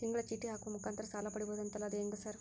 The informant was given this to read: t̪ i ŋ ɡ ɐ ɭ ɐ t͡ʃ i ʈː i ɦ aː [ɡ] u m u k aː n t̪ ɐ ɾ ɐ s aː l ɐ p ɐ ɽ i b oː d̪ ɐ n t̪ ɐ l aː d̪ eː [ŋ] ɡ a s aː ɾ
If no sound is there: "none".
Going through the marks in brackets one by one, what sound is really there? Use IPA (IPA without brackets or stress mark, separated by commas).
k, ŋ